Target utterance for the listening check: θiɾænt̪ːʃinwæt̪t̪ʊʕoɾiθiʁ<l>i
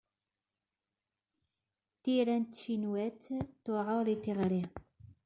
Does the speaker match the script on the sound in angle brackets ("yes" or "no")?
no